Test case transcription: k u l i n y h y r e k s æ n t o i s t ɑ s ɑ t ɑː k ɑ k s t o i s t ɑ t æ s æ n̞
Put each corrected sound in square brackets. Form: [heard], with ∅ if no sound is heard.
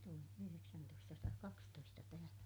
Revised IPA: [t] u l i n y h y r e k s æ n t o i s t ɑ s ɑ t ɑː k ɑ k s t o i s t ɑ t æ [h] æ n̞